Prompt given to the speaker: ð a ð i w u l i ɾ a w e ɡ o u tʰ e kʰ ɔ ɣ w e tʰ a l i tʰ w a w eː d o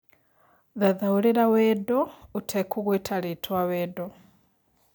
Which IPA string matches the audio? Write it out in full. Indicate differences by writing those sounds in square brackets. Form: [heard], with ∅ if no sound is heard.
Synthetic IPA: ð a ð [a] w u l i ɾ a w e [d] o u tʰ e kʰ [u] ɣ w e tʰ a l i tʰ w a w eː d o